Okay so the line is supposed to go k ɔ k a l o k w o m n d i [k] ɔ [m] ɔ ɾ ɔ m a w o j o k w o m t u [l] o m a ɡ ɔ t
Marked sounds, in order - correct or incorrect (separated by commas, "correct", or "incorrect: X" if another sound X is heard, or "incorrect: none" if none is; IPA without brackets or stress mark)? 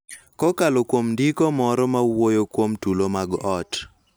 correct, correct, correct